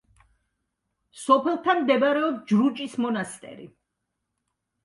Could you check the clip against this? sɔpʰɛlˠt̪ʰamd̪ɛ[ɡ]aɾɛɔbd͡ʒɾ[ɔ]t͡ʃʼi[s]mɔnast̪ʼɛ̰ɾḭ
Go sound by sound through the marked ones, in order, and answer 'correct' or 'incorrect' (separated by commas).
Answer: incorrect, incorrect, correct